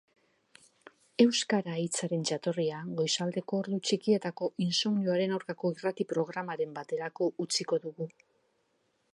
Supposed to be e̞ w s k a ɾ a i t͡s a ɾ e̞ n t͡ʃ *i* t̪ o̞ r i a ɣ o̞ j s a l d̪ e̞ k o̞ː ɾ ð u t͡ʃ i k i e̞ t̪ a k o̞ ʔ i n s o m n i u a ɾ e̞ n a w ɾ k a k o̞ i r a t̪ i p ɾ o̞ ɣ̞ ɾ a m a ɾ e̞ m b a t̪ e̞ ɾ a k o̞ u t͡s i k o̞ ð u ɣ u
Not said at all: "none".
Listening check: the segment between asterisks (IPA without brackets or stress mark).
a